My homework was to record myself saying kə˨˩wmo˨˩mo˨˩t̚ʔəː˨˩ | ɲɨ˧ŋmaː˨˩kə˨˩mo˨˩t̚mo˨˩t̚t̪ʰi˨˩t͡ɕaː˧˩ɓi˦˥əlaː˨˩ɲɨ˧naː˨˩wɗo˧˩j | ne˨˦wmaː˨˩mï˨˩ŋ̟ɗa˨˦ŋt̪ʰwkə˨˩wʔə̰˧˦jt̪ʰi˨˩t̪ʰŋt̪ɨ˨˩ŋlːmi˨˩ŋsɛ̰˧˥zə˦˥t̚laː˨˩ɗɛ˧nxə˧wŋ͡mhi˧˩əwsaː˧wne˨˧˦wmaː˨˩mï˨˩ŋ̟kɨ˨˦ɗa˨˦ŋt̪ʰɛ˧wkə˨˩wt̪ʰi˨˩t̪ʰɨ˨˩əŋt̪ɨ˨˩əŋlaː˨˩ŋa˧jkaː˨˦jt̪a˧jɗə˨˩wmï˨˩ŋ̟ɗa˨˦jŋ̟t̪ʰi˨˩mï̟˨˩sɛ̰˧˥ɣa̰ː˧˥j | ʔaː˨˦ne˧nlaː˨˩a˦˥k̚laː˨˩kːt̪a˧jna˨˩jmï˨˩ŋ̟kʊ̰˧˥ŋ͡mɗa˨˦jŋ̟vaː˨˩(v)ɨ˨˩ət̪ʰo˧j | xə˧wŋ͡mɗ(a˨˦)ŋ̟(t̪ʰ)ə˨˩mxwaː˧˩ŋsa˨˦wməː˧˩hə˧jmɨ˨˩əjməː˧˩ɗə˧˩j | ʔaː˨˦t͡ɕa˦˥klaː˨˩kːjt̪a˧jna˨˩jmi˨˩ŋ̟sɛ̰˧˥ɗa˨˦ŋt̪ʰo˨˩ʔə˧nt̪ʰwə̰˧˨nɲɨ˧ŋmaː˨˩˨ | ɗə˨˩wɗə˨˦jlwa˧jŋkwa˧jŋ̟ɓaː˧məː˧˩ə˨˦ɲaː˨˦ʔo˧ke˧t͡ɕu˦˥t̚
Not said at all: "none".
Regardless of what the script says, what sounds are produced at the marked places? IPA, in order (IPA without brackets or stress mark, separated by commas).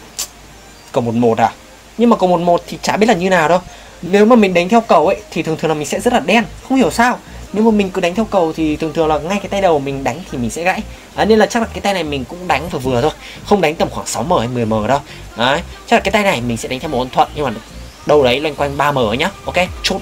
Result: v, a˨˦, t̪